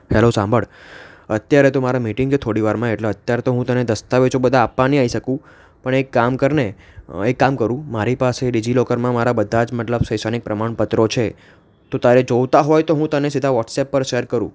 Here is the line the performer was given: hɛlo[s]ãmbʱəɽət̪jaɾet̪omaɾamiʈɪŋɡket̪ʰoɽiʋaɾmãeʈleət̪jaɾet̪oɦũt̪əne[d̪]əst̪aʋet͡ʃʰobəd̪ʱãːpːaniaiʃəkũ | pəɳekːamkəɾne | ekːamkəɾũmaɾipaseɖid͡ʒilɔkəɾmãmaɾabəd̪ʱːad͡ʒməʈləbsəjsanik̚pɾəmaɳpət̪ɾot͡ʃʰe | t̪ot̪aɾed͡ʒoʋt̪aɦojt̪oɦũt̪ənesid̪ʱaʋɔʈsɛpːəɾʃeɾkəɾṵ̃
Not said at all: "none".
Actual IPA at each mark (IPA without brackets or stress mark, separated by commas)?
s, d̪